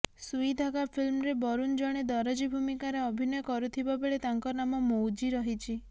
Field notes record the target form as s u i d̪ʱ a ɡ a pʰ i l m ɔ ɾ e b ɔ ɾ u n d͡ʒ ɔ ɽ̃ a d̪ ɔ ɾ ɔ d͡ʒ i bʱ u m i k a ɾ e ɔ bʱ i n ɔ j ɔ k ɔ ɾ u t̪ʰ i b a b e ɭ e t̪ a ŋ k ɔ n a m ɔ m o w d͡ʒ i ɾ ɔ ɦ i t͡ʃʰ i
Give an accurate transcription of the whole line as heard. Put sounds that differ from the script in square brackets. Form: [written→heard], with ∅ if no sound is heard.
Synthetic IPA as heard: s u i d̪ʱ a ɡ a pʰ i l m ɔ ɾ e b ɔ ɾ u n d͡ʒ ɔ ɽ̃ [a→e] d̪ ɔ ɾ ɔ d͡ʒ i bʱ u m i k a ɾ e ɔ bʱ i n ɔ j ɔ k ɔ ɾ u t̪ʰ i b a b e ɭ e t̪ a ŋ k ɔ n a m ɔ m o w d͡ʒ i ɾ ɔ ɦ i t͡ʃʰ i

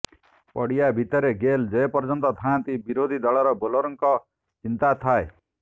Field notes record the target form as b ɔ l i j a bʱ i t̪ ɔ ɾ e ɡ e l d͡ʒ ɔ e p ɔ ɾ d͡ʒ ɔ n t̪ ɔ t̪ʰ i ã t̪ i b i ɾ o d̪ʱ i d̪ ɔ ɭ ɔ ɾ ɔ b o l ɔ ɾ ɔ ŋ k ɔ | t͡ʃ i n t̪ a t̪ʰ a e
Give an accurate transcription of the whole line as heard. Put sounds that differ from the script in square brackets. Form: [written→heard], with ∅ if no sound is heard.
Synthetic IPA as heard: [b→p] ɔ [l→ɽ] i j a bʱ i t̪ ɔ ɾ e ɡ e l d͡ʒ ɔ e p ɔ ɾ d͡ʒ ɔ n t̪ ɔ t̪ʰ [i→a] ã t̪ i b i ɾ o d̪ʱ i d̪ ɔ ɭ ɔ ɾ ɔ b o l ɔ ɾ ɔ ŋ k ɔ | t͡ʃ i n t̪ a t̪ʰ a e

